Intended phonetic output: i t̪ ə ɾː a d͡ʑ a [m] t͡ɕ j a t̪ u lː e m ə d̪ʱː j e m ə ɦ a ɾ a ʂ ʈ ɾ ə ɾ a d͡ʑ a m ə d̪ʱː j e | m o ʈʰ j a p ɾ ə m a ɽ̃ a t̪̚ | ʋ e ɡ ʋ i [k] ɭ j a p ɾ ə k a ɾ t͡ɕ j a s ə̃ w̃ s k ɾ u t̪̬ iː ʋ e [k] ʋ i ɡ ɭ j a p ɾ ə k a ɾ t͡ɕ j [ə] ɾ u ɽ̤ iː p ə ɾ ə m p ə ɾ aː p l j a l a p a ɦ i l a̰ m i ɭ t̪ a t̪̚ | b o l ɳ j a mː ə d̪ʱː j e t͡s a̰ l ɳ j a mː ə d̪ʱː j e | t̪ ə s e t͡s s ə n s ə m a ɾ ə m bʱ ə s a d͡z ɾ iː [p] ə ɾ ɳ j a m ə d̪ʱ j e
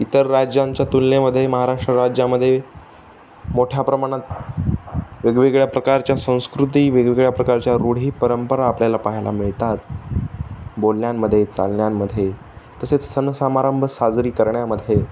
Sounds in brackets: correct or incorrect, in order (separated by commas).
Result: incorrect, incorrect, incorrect, incorrect, incorrect